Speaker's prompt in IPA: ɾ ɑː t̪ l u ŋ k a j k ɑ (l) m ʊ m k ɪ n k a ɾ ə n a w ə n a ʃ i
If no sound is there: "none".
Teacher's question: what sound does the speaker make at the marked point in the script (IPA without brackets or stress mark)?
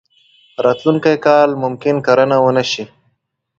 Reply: l